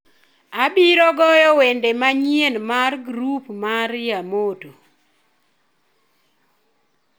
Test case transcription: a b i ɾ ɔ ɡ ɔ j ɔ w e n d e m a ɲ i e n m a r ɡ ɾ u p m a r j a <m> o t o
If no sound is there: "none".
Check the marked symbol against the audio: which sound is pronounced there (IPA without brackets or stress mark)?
m